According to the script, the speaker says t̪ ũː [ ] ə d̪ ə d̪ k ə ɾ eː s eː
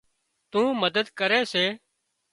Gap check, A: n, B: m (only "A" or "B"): B